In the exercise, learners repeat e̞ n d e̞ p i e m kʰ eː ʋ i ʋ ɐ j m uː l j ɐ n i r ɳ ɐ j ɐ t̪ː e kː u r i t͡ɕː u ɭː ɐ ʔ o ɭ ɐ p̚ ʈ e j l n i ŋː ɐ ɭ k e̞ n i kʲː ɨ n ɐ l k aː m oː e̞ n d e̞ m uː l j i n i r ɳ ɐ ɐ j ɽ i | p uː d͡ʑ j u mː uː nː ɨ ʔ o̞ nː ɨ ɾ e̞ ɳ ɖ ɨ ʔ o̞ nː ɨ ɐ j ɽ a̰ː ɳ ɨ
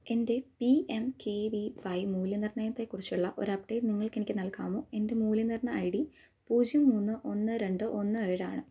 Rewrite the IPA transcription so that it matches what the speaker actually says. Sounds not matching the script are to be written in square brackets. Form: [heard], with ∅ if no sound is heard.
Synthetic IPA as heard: e̞ n d e̞ p i e m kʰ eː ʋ i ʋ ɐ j m uː l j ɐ n i r ɳ ɐ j ɐ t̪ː e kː u r i t͡ɕː u ɭː ɐ ʔ o [ɾ] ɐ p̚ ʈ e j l n i ŋː ɐ ɭ k e̞ n i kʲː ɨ n ɐ l k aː m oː e̞ n d e̞ m uː l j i n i r ɳ ɐ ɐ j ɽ i | p uː d͡ʑ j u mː uː nː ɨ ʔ o̞ nː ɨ ɾ e̞ ɳ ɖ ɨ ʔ o̞ nː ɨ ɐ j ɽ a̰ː ɳ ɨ

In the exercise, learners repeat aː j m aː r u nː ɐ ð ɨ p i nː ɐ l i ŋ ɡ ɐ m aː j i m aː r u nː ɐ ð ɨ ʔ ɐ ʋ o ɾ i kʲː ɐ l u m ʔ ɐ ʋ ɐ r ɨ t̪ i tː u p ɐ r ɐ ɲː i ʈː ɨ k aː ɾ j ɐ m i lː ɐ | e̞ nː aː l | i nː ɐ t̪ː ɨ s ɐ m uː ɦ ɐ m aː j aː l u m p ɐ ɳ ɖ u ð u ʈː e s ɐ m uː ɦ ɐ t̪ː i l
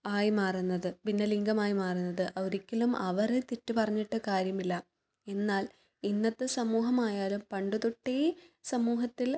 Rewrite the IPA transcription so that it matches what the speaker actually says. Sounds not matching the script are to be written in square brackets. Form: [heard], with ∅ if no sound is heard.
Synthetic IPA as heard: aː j m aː r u nː ɐ ð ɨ p i nː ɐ l i ŋ ɡ ɐ m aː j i m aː r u nː ɐ ð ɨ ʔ ɐ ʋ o ɾ i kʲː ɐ l u m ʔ ɐ ʋ ɐ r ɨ t̪ i tː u p ɐ r ɐ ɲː i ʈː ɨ k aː ɾ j ɐ m i lː ɐ | e̞ nː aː l | i nː ɐ t̪ː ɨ s ɐ m uː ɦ ɐ m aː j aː l u m p ɐ ɳ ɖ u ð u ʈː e s ɐ m uː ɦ ɐ t̪ː i l

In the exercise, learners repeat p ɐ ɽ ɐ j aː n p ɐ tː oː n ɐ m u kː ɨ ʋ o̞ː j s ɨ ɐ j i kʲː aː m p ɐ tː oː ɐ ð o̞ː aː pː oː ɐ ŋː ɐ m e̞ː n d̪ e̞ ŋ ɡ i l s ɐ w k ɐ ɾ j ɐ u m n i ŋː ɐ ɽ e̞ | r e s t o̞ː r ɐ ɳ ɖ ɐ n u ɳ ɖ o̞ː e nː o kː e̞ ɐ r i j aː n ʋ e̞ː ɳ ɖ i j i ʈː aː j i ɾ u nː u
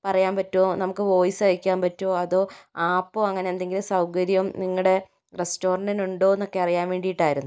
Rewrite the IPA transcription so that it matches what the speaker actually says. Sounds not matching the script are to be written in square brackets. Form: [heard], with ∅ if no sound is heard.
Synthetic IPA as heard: p ɐ [r] ɐ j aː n p ɐ tː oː n ɐ m u kː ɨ ʋ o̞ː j s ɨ ɐ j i kʲː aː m p ɐ tː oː ɐ ð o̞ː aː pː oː ɐ ŋː ɐ [n] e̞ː n d̪ e̞ ŋ ɡ i l s ɐ w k ɐ ɾ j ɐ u m n i ŋː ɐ ɽ e̞ | r e s t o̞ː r ɐ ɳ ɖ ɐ n u ɳ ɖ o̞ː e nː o kː e̞ ɐ r i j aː n ʋ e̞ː ɳ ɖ i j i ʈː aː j i ɾ u nː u

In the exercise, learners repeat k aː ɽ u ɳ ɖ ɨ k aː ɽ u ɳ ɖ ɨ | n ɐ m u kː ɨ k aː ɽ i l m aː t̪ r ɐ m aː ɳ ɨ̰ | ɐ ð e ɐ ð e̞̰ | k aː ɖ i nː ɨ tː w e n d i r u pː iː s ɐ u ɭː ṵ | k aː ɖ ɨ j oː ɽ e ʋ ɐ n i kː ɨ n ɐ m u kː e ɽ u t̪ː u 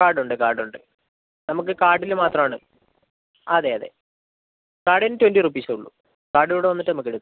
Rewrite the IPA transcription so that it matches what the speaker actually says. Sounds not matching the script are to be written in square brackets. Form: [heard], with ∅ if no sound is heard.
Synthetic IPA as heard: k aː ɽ u ɳ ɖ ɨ k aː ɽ u ɳ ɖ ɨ | n ɐ m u kː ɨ k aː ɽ i l m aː t̪ r ɐ m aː ɳ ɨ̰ | ɐ ð e ɐ ð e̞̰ | k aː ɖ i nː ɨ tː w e n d i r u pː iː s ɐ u ɭː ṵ | k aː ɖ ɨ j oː ɽ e ʋ ɐ [nː] i [ʈː] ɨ n ɐ m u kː e ɽ u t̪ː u

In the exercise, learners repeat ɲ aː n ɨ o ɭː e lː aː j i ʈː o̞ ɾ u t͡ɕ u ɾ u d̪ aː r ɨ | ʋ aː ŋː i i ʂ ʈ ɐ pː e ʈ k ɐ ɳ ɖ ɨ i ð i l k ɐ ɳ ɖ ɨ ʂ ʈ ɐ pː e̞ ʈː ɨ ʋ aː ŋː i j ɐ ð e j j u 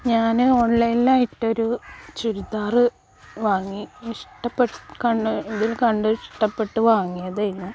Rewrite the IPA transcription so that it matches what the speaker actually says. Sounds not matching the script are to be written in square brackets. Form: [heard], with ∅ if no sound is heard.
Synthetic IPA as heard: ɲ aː n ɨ o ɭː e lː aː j i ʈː o̞ ɾ u t͡ɕ u ɾ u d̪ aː r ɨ | ʋ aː ŋː i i ʂ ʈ ɐ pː e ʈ k ɐ ɳ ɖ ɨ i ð i l k ɐ ɳ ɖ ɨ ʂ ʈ ɐ pː e̞ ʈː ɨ ʋ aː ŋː i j ɐ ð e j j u

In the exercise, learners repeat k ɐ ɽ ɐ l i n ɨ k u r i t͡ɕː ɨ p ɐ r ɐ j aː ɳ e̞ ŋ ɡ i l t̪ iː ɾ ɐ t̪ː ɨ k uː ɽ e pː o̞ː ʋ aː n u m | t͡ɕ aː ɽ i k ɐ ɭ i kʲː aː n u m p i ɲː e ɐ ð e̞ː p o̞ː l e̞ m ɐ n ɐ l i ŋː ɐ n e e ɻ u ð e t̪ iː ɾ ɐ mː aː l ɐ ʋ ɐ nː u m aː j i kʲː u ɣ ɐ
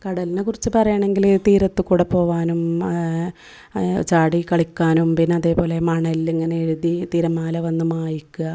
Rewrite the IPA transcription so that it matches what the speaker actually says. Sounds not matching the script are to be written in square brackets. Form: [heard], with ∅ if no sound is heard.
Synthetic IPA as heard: k ɐ ɽ ɐ l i n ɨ k u r i t͡ɕː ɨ p ɐ r ɐ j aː ɳ e̞ ŋ ɡ i l t̪ iː ɾ ɐ t̪ː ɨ k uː ɽ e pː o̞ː ʋ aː n u m | t͡ɕ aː ɽ i k ɐ ɭ i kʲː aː n u m p i [nː] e ɐ ð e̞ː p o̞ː l e̞ m ɐ [ɳ] ɐ l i ŋː ɐ n e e ɻ u ð [i] t̪ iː ɾ ɐ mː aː l ɐ ʋ ɐ nː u m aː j i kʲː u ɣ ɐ

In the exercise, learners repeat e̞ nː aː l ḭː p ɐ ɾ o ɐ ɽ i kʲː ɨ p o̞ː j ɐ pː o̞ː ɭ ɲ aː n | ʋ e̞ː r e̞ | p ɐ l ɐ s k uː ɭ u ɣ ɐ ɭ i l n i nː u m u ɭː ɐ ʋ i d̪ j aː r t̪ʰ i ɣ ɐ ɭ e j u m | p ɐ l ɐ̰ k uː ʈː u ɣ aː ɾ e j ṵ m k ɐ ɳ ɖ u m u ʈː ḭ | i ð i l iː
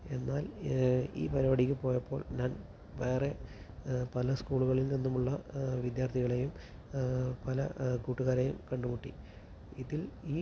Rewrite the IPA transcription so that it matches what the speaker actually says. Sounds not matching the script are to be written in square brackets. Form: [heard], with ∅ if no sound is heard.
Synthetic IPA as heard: e̞ nː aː l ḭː p ɐ ɾ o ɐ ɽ i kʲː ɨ p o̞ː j ɐ pː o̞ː ɭ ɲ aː n | ʋ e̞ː r e̞ | p ɐ l ɐ s k uː ɭ u ɣ ɐ ɭ i l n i nː u m u ɭː ɐ ʋ i d̪ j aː r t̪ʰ i ɣ ɐ ɭ e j u m | p ɐ l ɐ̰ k uː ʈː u ɣ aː ɾ e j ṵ m k ɐ ɳ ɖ u m u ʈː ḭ | i ð i l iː

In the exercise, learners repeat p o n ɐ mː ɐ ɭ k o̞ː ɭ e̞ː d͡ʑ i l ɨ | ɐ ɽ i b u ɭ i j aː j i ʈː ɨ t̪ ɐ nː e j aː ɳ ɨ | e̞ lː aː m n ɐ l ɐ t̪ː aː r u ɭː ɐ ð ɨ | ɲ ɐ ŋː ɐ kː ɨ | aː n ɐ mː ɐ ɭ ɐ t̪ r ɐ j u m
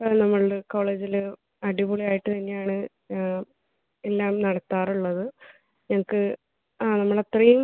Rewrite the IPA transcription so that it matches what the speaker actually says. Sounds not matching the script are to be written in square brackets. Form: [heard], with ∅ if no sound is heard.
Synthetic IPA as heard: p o n ɐ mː ɐ ɭ k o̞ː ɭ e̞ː d͡ʑ i l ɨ | ɐ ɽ i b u ɭ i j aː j i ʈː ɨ t̪ ɐ nː e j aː ɳ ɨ | e̞ lː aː m n ɐ [ɽ] ɐ t̪ː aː r u ɭː ɐ ð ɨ | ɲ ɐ [ŋ] ɐ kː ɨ | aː n ɐ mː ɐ ɭ ɐ t̪ r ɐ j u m

